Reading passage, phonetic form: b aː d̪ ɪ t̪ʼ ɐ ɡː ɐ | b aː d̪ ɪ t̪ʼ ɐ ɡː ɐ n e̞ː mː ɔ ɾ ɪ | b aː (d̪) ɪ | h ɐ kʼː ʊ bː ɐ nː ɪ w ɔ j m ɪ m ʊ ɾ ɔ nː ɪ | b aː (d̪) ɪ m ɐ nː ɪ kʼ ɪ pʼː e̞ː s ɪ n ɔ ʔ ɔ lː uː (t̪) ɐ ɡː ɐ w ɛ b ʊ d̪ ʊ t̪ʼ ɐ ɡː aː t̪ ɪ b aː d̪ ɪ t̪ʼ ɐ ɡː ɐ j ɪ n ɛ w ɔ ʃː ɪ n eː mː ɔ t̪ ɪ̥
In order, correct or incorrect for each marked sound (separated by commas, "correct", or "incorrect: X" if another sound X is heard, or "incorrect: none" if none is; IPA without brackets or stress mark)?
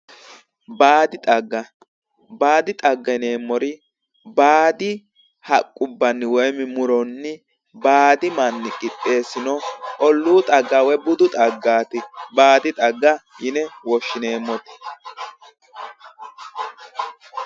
correct, correct, incorrect: t̪ʼ